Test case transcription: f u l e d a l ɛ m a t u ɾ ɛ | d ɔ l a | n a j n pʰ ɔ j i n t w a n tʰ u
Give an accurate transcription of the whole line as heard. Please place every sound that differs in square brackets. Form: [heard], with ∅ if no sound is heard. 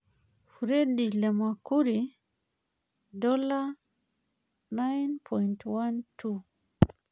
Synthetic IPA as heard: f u [ɾ] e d [i] l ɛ m a [k] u ɾ [i] | d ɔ l a | n a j n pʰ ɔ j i n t w a n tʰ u

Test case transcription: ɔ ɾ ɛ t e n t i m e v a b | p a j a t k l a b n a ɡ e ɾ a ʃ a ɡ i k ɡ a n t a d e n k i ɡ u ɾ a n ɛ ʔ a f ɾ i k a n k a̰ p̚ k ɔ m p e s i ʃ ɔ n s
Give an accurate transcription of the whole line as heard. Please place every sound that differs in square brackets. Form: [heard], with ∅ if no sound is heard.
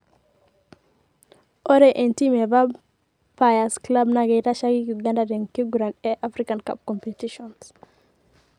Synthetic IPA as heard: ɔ ɾ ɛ [ʔ] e n t i m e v a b | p a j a [s] k l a b n a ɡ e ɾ a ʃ a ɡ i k ɡ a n [d] a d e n k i ɡ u ɾ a n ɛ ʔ a f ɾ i k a n k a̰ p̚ k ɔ m p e [t] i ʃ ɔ n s

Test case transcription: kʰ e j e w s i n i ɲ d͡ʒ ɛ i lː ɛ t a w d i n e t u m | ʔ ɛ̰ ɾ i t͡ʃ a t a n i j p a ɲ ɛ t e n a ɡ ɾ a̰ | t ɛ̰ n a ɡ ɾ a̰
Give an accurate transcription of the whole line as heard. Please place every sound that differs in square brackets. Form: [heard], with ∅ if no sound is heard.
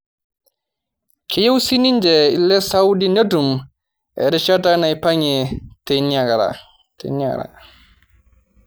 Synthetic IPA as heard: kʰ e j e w s i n i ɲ d͡ʒ ɛ i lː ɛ [s] a w d i n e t u m | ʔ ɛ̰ ɾ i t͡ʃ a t a n [a] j p a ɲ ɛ t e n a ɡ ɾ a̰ | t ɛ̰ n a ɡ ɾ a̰

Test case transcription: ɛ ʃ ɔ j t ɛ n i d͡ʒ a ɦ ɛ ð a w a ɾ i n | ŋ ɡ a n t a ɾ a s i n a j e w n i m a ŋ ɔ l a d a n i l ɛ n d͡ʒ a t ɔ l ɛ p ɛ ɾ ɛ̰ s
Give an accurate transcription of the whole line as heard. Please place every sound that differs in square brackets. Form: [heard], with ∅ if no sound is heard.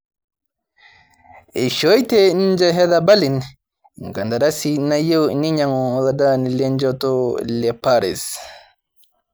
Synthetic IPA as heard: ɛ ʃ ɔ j t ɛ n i d͡ʒ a ɦ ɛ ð a [b] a [l] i n | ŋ ɡ a n [d] a ɾ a s i n a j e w n i [ɲ] a ŋ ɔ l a d a n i l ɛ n d͡ʒ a t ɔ l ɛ p [a] ɾ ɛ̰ s

